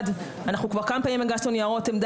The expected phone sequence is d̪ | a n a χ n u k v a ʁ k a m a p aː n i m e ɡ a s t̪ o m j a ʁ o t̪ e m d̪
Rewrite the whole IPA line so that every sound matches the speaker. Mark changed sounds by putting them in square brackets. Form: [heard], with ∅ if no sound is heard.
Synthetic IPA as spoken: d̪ | a n a χ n u k v a ʁ k a m a p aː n i m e ɡ a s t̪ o [n] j a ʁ o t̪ e m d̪